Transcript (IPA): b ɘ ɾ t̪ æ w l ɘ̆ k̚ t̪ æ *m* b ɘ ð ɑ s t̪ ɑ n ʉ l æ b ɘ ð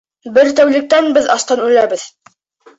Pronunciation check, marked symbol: incorrect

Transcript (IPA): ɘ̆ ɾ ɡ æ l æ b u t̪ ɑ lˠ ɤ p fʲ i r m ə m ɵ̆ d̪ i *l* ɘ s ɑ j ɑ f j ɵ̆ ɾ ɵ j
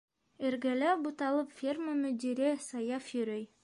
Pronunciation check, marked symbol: incorrect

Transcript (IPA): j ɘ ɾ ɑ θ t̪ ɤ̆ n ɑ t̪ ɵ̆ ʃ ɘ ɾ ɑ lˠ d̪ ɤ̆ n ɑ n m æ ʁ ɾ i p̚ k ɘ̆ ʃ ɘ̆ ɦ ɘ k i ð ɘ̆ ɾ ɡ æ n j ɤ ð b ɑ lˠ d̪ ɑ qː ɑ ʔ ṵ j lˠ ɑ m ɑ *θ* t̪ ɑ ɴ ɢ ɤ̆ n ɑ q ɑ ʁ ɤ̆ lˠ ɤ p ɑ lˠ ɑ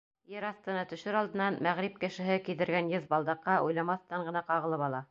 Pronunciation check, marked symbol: correct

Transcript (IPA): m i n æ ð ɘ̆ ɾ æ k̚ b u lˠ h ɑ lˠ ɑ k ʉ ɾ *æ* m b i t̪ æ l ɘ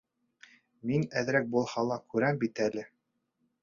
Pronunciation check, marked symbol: correct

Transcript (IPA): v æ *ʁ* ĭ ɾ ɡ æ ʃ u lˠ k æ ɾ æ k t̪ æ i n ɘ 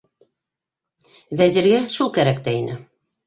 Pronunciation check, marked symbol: incorrect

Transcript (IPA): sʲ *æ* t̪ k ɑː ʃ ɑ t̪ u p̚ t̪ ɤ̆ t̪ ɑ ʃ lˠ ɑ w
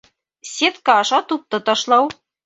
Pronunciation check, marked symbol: incorrect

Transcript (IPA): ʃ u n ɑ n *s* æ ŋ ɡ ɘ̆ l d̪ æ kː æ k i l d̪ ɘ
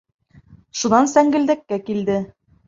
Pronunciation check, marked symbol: correct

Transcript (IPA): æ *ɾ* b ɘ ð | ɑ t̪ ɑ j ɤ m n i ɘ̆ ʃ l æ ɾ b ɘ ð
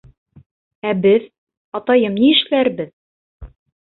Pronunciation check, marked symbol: incorrect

